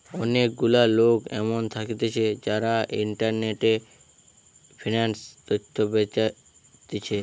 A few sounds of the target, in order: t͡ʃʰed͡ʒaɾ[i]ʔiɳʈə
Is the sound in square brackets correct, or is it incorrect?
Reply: incorrect